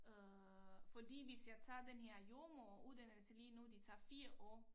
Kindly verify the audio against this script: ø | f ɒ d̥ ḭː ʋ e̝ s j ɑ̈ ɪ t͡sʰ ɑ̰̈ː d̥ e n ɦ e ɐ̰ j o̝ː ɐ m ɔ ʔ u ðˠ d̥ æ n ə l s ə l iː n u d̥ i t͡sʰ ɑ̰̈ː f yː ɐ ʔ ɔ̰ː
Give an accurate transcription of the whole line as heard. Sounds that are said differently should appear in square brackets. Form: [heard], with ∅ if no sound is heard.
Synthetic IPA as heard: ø | f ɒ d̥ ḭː ʋ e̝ s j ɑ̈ ɪ t͡sʰ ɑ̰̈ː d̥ e n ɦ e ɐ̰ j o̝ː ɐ m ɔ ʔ u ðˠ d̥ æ n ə l s ə l iː n u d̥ i t͡sʰ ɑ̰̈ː f [iː] ɐ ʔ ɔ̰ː

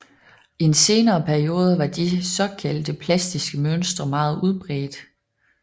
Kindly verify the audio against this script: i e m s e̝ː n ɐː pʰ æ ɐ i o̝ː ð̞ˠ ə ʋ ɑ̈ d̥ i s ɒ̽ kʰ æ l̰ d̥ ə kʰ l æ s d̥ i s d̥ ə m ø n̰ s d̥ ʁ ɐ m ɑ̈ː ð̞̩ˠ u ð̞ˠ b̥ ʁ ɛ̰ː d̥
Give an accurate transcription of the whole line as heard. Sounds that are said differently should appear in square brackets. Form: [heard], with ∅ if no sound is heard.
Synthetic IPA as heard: i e [n] s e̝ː n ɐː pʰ æ ɐ i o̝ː ð̞ˠ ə ʋ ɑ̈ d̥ i s ɒ̽ kʰ æ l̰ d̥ ə [pʰ] l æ s d̥ i s [ɡ̥] ə m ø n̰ s d̥ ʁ ɐ m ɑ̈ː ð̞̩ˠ u ð̞ˠ b̥ ʁ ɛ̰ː d̥

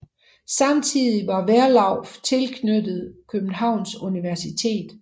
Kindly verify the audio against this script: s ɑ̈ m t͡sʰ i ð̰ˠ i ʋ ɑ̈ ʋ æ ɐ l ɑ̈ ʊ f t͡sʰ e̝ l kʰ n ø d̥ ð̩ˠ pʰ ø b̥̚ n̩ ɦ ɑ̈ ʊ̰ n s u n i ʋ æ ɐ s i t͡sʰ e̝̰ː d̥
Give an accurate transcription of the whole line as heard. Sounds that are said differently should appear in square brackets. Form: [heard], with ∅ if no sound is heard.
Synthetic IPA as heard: s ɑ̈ m t͡sʰ i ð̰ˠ i ʋ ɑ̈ ʋ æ ɐ l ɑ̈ ʊ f t͡sʰ e̝ l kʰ n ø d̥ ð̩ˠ [kʰ] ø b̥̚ n̩ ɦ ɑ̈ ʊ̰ n s u n i ʋ æ ɐ s i t͡sʰ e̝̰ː d̥

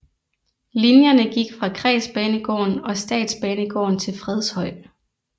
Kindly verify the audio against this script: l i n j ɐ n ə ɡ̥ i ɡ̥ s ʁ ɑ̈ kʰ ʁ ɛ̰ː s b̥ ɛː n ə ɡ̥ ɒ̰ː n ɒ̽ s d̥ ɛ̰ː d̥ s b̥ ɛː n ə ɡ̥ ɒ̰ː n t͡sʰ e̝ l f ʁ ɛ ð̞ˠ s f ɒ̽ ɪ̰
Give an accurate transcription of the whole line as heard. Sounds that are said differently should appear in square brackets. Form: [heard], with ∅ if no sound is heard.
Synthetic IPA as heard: l i n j ɐ n ə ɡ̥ i ɡ̥ [f] ʁ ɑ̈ kʰ ʁ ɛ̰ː s b̥ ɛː n ə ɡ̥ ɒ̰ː n ɒ̽ s d̥ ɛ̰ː d̥ s b̥ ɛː n ə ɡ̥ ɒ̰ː n t͡sʰ e̝ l f ʁ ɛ ð̞ˠ s [h] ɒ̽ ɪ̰

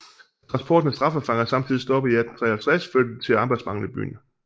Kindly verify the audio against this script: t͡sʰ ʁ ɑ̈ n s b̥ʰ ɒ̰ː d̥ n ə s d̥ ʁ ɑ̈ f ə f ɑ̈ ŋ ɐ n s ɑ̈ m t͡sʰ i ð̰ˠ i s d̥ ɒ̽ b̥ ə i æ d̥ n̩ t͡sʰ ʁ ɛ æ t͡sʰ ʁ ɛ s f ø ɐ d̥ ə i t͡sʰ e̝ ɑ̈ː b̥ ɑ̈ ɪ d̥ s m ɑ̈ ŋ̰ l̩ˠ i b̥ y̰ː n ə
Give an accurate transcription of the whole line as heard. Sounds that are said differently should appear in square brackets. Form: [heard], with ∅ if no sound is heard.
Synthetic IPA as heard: t͡sʰ ʁ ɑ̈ n s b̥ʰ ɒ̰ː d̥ n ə s d̥ ʁ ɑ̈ f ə f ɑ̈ ŋ ɐ [∅] s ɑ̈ m t͡sʰ i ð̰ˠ i s d̥ ɒ̽ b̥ ə i æ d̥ n̩ t͡sʰ ʁ ɛ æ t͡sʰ ʁ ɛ s f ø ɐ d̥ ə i t͡sʰ e̝ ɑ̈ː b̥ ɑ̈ ɪ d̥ s m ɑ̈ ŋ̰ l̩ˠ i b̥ y̰ː n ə

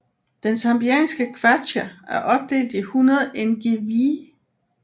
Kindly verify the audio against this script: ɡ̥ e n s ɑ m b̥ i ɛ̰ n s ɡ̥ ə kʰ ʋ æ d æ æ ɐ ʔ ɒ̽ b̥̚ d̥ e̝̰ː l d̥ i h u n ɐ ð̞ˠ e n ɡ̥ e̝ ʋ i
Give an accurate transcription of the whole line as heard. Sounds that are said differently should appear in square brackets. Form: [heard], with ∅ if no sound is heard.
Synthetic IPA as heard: [d̥] e n s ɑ m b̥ i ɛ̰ n s ɡ̥ ə kʰ ʋ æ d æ æ ɐ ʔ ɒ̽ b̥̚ d̥ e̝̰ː l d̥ i h u n ɐ ð̞ˠ e n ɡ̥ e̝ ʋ i

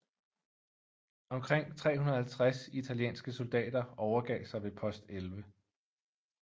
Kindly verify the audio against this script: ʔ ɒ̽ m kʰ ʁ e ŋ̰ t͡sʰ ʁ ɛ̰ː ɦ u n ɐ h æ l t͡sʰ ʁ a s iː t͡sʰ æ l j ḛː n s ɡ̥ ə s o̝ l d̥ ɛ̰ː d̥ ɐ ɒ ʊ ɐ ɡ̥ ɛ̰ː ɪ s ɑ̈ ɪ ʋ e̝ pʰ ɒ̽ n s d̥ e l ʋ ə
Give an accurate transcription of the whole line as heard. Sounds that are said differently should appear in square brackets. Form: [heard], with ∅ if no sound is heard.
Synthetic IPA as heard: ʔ ɒ̽ m kʰ ʁ e ŋ̰ t͡sʰ ʁ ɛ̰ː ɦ u n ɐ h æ l t͡sʰ ʁ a s [i] t͡sʰ æ l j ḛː n s ɡ̥ ə s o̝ l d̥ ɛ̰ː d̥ ɐ ɒ ʊ ɐ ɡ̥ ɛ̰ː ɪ s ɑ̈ ɪ ʋ e̝ pʰ ɒ̽ [∅] s d̥ e l ʋ ə

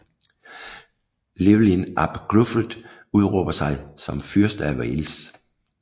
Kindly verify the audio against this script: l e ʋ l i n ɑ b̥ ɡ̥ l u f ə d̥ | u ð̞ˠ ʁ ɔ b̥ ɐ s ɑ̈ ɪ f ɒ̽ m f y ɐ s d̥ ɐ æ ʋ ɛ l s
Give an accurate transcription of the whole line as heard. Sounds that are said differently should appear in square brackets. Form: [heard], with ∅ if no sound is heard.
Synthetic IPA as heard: l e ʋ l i n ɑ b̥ ɡ̥ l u f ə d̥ | u ð̞ˠ ʁ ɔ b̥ ɐ s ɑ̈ ɪ [s] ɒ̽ m f y ɐ s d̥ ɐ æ ʋ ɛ l s

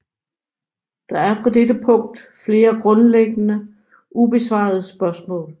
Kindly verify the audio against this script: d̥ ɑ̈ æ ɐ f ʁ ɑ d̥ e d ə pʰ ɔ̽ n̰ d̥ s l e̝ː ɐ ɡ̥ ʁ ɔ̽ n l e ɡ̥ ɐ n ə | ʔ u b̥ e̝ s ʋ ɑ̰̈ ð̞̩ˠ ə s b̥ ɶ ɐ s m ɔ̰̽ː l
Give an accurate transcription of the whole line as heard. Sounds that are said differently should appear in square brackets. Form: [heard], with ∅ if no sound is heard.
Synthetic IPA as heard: d̥ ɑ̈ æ ɐ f ʁ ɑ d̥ e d ə pʰ ɔ̽ [ŋ̰] d̥ [f] l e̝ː ɐ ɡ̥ ʁ ɔ̽ n l e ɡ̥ [ə] n ə | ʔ u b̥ e̝ s ʋ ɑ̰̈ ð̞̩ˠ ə s b̥ ɶ ɐ s m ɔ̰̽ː l

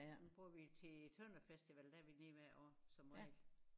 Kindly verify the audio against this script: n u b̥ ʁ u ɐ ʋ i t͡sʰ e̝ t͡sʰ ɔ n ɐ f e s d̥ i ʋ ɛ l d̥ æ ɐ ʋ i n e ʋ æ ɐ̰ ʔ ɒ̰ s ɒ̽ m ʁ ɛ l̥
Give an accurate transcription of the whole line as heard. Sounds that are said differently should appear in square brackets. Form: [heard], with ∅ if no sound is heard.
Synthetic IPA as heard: n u b̥ ʁ u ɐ ʋ i t͡sʰ e̝ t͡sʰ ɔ n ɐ f e s d̥ i ʋ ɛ l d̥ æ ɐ ʋ i n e ʋ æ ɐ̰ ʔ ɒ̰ s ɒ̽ m ʁ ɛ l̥

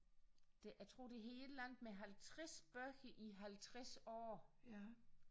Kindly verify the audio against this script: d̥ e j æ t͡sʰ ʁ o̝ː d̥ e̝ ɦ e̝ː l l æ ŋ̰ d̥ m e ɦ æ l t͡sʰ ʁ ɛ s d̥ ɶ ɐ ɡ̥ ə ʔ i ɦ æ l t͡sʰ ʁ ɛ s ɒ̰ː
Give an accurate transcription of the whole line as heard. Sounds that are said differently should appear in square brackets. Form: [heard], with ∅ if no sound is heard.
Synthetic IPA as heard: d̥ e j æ t͡sʰ ʁ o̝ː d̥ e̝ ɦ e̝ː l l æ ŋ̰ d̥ m e ɦ æ l t͡sʰ ʁ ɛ s [b̥] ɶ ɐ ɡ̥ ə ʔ i ɦ æ l t͡sʰ ʁ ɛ s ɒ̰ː

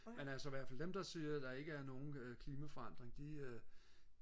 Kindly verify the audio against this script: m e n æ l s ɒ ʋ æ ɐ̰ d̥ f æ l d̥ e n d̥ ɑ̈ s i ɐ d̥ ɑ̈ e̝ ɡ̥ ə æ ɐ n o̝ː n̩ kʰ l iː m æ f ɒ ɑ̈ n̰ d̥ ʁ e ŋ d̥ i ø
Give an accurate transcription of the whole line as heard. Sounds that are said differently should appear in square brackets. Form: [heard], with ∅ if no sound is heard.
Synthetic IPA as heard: m e n æ l s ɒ ʋ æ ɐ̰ [∅] f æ l d̥ e [m] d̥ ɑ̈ s i ɐ d̥ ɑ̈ e̝ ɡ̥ ə æ ɐ n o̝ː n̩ kʰ l iː m æ f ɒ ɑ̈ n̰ d̥ ʁ e ŋ d̥ i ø

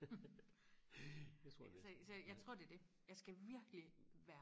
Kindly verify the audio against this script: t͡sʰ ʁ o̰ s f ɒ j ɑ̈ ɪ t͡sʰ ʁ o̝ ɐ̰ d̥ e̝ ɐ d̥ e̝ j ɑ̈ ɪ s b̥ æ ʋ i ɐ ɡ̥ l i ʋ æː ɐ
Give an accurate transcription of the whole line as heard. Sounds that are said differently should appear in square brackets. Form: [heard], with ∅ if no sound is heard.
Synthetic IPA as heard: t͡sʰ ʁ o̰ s [s] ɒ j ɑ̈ ɪ t͡sʰ ʁ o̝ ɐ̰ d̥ e̝ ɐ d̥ e̝ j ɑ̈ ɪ s [ɡ̥] æ ʋ i ɐ ɡ̥ l i ʋ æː ɐ

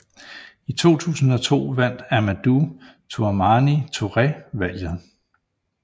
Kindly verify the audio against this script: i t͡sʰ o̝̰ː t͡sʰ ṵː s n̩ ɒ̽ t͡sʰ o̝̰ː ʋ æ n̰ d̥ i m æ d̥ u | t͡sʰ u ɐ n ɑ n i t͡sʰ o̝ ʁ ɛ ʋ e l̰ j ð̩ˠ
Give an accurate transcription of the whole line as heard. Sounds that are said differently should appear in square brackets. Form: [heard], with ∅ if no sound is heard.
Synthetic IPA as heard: i t͡sʰ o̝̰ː t͡sʰ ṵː s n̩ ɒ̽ t͡sʰ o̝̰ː ʋ æ n̰ d̥ [æ] m æ d̥ u | t͡sʰ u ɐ [m] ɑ n i t͡sʰ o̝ ʁ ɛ ʋ [æ] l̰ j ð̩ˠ

